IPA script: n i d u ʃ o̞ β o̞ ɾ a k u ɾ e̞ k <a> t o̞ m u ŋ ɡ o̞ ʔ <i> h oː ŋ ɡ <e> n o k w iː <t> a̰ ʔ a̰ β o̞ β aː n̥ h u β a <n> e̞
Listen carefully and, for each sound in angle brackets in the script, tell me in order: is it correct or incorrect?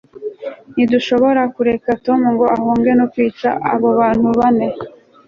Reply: correct, incorrect: a, correct, incorrect: t͡ʃ, correct

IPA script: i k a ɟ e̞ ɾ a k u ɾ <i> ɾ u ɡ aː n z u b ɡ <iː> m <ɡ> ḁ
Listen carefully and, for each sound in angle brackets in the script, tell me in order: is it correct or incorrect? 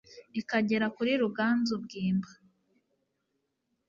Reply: correct, correct, incorrect: b

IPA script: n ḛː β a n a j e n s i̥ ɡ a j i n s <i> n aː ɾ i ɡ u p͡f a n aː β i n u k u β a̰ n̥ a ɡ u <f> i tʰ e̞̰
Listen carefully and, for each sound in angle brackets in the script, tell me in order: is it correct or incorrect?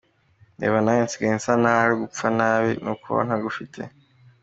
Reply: incorrect: a, correct

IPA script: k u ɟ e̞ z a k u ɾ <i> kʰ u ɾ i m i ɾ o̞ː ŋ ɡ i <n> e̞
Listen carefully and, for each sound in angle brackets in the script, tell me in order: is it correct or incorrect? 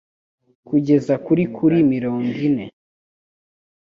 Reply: correct, correct

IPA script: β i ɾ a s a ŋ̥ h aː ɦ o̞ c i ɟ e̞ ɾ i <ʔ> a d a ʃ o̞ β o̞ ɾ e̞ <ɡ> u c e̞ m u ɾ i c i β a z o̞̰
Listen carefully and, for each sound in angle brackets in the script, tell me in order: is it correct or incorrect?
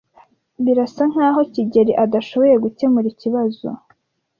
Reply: correct, correct

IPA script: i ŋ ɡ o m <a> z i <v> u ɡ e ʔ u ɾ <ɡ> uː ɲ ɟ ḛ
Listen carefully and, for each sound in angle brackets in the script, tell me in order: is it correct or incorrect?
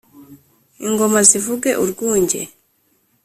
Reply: correct, correct, correct

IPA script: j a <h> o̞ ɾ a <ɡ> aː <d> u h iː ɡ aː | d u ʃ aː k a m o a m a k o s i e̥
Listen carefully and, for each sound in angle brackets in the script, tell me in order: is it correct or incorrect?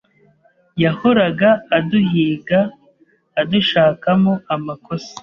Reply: correct, correct, correct

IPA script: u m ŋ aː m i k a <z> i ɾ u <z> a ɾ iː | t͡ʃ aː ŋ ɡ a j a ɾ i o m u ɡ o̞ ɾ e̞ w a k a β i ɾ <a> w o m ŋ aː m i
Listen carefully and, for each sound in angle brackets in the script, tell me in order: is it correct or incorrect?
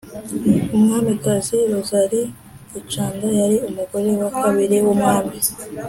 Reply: correct, correct, incorrect: e

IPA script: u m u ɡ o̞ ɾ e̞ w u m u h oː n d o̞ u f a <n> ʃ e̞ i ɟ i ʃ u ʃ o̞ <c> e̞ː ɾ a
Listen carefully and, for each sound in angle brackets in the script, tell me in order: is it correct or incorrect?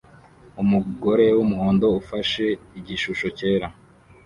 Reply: incorrect: none, correct

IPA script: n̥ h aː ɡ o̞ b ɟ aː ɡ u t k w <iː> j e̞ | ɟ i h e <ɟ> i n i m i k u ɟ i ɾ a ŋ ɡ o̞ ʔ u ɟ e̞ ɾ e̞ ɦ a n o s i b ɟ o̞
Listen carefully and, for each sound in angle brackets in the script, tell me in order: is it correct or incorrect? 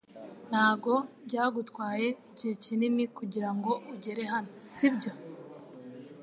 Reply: incorrect: aː, incorrect: c

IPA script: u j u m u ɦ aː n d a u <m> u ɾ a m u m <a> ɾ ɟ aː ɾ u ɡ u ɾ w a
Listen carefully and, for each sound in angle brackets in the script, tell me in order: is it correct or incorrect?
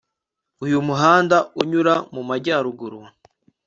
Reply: incorrect: ɲ, correct

